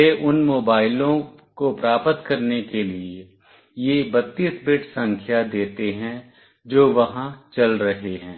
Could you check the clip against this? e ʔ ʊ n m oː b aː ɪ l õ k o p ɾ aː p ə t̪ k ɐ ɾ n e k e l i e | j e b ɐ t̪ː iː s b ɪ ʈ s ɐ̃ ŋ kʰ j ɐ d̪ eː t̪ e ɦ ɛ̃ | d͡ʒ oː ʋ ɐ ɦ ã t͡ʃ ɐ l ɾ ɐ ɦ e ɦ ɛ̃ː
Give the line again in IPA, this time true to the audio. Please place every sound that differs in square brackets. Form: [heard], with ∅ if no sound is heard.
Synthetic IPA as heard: e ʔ ʊ n m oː b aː ɪ l õ k o p ɾ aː p ə t̪ k ɐ ɾ n e k e l i e | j e b ɐ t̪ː iː s b ɪ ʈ s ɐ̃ ŋ kʰ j [a] d̪ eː t̪ e ɦ ɛ̃ | d͡ʒ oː ʋ ɐ ɦ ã t͡ʃ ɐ l ɾ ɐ ɦ e ɦ ɛ̃ː

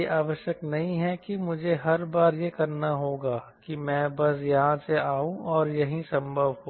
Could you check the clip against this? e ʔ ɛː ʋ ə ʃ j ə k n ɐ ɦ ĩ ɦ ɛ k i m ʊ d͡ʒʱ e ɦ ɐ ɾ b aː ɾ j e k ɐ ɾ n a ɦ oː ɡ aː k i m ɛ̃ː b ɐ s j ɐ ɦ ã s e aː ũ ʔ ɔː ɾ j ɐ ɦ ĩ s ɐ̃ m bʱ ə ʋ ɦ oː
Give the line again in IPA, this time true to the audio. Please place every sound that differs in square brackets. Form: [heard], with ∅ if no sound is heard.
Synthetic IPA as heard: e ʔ [aː] ʋ ə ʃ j ə k n ɐ ɦ ĩ ɦ ɛ k i m ʊ d͡ʒʱ e ɦ ɐ ɾ b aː ɾ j e k ɐ ɾ n a ɦ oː ɡ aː k i m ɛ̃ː b ɐ s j ɐ ɦ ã s e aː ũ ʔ ɔː ɾ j ɐ ɦ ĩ s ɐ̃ m bʱ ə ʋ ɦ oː

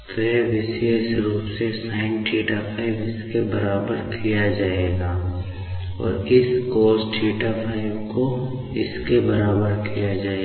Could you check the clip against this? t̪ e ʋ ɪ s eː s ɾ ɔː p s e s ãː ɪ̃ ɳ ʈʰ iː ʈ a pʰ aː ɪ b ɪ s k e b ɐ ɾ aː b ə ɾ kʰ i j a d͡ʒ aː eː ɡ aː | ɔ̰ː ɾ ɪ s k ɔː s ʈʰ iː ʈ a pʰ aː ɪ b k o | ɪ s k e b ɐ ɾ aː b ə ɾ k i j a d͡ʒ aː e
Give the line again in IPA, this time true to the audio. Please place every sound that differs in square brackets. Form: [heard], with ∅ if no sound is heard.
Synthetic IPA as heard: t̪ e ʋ ɪ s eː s ɾ [uː] p s e s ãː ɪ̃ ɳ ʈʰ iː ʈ a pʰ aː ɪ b ɪ s k e b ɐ ɾ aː b ə ɾ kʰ i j a d͡ʒ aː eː ɡ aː | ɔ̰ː ɾ ɪ s k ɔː s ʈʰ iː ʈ a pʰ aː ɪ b k o | ɪ s k e b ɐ ɾ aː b ə ɾ k i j a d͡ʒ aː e

